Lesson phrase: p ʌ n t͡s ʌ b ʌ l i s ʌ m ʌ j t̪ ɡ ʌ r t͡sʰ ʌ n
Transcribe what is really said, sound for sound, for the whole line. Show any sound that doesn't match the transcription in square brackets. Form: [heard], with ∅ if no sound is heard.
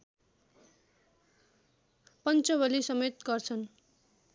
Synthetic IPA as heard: p ʌ n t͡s ʌ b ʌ l i s ʌ m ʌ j t̪ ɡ ʌ r t͡sʰ ʌ n